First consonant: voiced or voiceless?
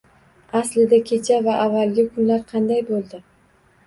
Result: voiceless